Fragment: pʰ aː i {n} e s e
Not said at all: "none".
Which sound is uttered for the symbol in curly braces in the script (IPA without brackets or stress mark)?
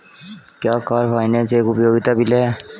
n